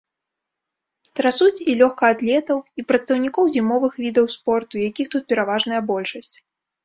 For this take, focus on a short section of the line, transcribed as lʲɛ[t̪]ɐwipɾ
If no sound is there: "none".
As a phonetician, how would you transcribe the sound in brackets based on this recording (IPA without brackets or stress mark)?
t̪